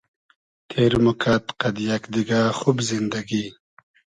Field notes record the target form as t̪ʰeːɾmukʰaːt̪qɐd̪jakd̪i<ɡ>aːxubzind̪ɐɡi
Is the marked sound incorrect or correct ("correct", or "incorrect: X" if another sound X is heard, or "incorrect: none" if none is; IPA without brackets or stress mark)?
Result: correct